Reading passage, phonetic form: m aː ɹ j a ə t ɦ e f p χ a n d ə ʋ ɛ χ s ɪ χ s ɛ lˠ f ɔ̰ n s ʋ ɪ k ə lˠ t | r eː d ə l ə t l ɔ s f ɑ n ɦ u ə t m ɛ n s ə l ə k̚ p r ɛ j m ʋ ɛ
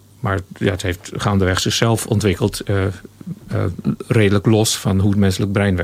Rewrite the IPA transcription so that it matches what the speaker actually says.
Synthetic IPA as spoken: m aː ɹ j a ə t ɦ e f t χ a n d ə ʋ ɛ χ s ɪ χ s ɛ lˠ f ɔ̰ n t ʋ ɪ k ə lˠ t | r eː d ə l ə k l ɔ s f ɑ n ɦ u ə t m ɛ n s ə l ə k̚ b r ɛ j n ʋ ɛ